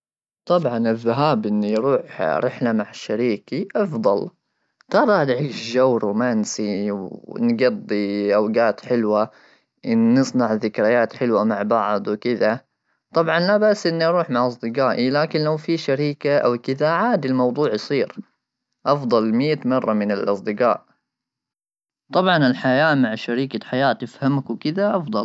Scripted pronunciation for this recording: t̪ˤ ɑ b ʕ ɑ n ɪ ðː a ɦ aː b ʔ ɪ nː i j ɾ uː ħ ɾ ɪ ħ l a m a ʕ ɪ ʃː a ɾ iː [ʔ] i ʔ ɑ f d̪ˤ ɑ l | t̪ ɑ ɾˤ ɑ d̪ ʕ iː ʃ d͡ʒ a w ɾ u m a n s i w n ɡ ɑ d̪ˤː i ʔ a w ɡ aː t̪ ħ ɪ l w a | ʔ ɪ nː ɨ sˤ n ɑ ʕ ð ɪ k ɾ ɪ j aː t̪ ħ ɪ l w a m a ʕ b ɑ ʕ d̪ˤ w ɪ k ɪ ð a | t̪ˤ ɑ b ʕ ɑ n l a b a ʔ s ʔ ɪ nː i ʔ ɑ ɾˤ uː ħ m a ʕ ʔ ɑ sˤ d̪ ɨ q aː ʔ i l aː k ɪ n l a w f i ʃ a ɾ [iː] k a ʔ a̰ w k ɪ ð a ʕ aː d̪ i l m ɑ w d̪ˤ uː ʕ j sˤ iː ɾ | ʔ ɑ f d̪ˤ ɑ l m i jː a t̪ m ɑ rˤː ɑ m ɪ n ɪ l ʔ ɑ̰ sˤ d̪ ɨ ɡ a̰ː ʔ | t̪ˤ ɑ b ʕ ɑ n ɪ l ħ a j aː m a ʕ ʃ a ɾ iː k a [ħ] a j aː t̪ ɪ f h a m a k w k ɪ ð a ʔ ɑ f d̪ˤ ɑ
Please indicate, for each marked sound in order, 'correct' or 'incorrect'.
incorrect: k, correct, correct

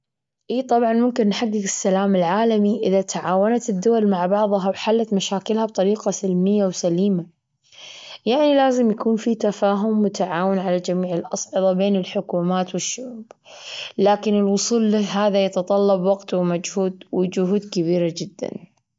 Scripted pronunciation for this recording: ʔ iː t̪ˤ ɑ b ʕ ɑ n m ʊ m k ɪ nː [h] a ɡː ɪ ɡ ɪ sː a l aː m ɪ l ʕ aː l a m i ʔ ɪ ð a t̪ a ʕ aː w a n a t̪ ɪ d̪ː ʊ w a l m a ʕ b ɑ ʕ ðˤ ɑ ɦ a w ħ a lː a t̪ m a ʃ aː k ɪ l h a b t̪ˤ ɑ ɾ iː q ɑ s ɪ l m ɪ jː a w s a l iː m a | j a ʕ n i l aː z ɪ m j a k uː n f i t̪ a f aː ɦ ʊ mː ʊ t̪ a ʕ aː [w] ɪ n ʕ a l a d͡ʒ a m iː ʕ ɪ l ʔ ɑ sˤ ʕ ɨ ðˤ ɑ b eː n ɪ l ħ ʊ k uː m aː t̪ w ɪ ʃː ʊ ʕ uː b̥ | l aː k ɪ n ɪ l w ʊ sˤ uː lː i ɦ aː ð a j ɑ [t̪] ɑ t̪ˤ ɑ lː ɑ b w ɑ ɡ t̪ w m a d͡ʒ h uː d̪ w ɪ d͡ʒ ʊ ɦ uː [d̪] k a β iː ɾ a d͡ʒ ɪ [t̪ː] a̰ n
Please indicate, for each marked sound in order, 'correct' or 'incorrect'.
incorrect: ħ, correct, correct, correct, incorrect: d̪ː

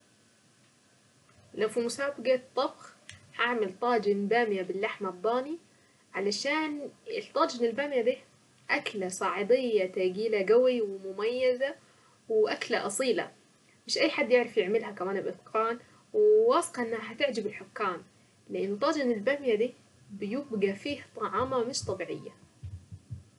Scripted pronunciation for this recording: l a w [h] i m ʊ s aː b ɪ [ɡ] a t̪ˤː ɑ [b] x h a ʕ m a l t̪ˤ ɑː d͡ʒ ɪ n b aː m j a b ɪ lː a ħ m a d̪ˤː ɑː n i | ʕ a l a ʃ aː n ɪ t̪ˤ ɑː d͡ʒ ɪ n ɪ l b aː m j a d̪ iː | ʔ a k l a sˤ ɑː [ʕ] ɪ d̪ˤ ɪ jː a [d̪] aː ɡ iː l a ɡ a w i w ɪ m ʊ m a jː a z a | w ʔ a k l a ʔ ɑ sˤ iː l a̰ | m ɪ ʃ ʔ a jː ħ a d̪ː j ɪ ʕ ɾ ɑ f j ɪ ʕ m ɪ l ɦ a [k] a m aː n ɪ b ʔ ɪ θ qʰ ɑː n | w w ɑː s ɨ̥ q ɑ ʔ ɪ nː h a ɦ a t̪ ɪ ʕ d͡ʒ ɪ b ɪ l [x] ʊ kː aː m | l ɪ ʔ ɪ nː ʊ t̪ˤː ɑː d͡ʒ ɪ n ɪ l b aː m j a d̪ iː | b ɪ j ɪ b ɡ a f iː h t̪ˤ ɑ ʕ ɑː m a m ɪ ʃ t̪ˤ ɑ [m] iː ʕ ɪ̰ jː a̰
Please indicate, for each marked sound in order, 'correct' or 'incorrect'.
incorrect: f, correct, correct, correct, incorrect: t̪, correct, incorrect: ħ, incorrect: b

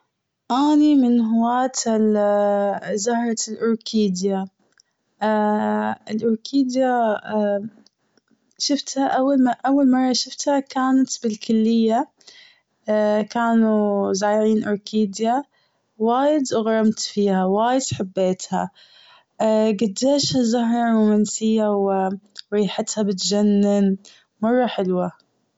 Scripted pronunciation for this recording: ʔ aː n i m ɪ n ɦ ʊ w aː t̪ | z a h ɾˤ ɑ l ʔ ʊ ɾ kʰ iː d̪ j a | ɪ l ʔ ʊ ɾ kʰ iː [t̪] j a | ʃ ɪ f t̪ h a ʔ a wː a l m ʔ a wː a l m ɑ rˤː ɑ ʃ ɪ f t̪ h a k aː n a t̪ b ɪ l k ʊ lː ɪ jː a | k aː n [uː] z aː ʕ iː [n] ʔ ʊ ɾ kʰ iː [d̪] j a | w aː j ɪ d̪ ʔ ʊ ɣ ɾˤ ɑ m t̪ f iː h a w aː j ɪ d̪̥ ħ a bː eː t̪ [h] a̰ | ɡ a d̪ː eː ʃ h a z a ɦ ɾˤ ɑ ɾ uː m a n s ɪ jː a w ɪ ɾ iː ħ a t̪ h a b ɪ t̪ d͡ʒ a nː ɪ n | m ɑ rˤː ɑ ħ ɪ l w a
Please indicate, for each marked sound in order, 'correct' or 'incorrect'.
incorrect: d̪, incorrect: u, correct, correct, correct

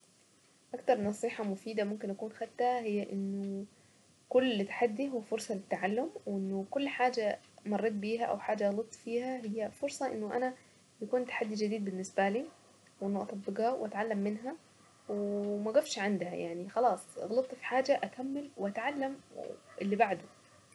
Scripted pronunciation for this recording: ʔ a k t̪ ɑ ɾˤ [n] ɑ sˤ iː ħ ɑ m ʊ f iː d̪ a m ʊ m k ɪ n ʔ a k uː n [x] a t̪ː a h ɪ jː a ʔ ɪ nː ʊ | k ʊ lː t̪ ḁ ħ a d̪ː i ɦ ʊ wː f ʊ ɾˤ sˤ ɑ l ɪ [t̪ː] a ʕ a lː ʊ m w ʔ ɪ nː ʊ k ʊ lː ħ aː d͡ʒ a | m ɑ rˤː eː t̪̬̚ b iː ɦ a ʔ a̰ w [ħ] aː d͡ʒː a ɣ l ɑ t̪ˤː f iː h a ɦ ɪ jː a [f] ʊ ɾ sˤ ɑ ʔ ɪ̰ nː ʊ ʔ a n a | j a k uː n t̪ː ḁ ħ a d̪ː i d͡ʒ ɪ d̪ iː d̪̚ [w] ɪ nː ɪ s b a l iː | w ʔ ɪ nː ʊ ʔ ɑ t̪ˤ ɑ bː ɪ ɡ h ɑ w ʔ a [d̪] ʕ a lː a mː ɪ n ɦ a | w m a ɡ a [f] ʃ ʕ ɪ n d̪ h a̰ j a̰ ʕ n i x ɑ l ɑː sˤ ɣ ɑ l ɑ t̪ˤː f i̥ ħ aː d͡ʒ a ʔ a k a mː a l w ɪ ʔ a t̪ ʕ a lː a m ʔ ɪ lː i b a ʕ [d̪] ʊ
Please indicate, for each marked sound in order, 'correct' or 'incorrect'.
correct, correct, correct, correct, correct, incorrect: b, incorrect: t̪, correct, correct

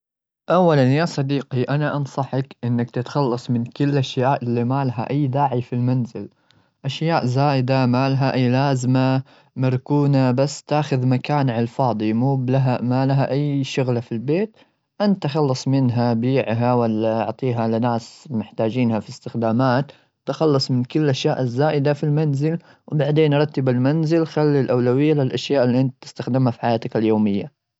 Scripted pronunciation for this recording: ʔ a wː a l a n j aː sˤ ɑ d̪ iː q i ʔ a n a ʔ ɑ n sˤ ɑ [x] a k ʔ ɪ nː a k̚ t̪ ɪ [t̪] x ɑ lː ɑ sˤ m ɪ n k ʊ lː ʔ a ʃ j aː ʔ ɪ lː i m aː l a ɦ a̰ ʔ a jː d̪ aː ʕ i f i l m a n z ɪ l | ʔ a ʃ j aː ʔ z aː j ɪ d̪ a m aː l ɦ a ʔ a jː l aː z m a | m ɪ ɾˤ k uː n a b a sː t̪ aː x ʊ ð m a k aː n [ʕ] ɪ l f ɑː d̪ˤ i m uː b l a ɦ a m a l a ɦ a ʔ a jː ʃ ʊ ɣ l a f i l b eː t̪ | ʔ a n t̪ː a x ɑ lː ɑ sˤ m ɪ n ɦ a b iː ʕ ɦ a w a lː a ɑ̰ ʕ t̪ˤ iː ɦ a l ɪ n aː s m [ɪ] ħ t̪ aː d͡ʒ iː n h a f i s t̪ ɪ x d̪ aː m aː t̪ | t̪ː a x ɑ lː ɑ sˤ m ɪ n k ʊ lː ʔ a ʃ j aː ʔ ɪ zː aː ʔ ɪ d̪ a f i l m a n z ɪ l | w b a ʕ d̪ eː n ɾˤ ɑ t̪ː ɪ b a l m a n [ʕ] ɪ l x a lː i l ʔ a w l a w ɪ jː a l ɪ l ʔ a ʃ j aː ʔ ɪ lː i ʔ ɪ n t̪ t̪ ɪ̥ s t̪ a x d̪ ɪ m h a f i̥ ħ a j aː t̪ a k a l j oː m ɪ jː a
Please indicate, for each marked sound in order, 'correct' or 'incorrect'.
incorrect: ħ, correct, correct, correct, incorrect: z

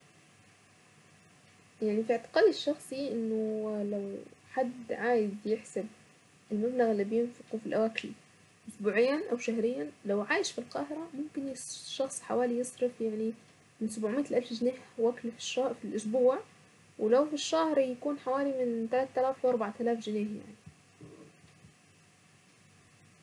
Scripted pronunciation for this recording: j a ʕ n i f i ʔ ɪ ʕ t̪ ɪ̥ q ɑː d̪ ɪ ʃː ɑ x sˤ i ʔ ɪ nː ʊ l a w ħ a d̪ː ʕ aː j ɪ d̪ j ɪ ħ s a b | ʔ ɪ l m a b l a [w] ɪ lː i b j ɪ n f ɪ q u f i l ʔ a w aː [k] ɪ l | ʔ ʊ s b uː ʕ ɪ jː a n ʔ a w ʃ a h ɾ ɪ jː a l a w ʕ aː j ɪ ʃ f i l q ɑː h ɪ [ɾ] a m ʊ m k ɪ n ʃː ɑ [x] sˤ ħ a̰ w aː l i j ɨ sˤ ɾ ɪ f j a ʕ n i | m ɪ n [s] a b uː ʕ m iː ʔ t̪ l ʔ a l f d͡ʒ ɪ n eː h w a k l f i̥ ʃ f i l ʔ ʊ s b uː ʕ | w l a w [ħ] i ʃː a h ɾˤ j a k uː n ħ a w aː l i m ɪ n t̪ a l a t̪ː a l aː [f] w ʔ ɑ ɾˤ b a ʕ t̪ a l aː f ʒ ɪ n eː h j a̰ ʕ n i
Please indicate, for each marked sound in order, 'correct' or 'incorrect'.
incorrect: ɣ, correct, correct, correct, correct, incorrect: f, correct

